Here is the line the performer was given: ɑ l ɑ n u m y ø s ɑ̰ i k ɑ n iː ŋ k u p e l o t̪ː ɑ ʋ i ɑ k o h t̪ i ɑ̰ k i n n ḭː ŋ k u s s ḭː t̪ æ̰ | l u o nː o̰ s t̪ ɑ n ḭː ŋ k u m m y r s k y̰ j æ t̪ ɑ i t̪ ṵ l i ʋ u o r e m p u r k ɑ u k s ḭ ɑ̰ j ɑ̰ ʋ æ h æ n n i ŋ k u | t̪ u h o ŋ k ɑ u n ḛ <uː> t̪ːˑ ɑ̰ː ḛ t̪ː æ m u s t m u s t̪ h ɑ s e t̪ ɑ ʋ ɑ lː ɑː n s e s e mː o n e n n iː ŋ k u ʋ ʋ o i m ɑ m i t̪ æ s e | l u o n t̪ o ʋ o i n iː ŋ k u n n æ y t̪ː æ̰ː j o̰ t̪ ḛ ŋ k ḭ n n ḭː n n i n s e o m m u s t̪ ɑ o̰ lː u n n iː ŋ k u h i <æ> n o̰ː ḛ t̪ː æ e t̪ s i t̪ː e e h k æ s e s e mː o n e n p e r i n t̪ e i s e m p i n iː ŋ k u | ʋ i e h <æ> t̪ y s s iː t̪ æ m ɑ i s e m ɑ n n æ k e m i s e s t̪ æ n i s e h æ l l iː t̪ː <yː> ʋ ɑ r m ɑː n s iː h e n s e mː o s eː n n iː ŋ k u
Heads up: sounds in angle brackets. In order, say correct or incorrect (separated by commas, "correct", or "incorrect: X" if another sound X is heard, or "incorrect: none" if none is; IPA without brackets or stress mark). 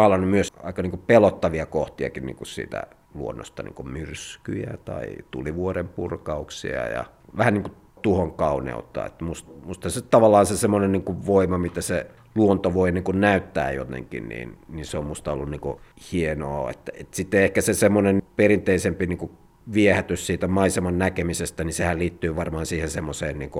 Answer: incorrect: u, incorrect: e, correct, correct